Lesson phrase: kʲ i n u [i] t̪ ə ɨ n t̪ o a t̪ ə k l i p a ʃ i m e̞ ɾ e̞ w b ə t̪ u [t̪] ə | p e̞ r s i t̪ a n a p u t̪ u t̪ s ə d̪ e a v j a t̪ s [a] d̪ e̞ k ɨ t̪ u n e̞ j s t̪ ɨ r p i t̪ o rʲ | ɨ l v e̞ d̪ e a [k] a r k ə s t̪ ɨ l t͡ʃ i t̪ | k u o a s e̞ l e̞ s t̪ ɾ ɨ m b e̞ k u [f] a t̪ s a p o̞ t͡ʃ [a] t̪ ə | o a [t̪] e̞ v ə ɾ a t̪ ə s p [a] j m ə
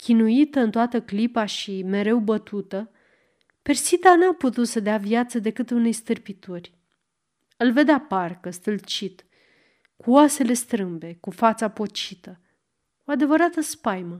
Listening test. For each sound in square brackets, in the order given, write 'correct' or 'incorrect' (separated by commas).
correct, correct, incorrect, incorrect, correct, incorrect, incorrect, correct